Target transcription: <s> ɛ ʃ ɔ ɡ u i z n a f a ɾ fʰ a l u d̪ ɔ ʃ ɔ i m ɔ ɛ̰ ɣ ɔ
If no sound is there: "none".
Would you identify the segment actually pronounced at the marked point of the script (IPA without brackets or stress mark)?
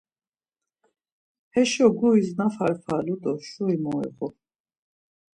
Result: h